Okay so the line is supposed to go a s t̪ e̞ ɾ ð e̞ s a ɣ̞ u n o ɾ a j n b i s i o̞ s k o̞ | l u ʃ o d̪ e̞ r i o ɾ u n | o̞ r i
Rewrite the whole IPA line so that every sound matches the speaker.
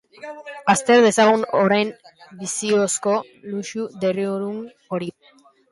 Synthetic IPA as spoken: a s t̪ e̞ ɾ ð e̞ s a ɣ̞ u n o ɾ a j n b i s i o̞ s k o̞ | l u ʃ u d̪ e̞ r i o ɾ u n | o̞ ɾ i